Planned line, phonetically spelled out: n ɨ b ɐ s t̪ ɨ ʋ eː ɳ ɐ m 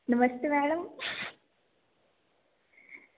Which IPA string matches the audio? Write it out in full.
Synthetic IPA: n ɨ m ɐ s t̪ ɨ ʋ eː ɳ ɐ m